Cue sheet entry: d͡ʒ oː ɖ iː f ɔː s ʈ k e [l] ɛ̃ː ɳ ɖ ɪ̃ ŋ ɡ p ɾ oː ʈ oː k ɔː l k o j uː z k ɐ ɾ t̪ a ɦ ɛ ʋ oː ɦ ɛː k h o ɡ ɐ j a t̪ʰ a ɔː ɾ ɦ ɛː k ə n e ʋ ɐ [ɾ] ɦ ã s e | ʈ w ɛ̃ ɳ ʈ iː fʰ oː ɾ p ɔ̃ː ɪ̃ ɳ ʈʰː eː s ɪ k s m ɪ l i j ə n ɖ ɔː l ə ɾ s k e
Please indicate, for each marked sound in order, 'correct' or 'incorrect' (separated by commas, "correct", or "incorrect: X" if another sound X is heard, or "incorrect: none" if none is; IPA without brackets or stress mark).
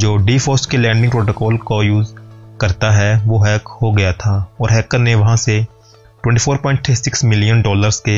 correct, incorrect: none